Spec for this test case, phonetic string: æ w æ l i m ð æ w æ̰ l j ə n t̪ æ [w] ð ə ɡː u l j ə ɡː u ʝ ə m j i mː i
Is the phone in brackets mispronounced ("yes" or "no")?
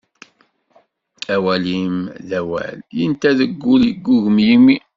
yes